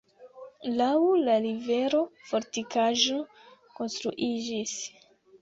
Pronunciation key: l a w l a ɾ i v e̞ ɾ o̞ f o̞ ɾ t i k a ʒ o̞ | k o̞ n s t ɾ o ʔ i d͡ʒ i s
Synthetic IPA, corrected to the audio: l a w l a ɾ i v e̞ ɾ o̞ f o̞ ɾ t i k a ʒ o̞ | k o̞ n s t ɾ u ʔ i d͡ʒ i s